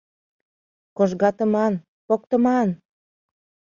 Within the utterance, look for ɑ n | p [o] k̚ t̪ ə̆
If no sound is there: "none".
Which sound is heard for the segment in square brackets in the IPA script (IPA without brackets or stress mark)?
o